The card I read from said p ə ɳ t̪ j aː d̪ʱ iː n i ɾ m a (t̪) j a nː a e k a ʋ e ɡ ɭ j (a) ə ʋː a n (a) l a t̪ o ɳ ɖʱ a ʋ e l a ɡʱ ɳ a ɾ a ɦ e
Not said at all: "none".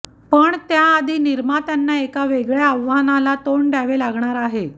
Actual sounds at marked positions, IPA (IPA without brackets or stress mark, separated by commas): t̪, a, a